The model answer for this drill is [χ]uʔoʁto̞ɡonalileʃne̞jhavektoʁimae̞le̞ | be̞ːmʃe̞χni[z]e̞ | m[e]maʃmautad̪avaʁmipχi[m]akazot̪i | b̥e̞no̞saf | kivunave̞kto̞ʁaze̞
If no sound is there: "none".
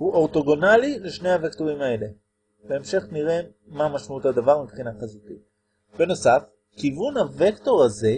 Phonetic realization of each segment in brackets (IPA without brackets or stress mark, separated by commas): h, ʁ, a, n